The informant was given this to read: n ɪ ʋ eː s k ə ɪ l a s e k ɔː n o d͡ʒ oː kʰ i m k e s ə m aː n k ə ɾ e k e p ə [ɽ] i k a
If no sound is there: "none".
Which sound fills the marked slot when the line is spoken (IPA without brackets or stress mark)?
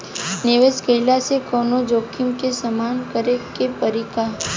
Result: ɾ